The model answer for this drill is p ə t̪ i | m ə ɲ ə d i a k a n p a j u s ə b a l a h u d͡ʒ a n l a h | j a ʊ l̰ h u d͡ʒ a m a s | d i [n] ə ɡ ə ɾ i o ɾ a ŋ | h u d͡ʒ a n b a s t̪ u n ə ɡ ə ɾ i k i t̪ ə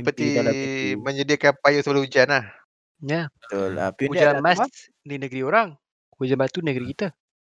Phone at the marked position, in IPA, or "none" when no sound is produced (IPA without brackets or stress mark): n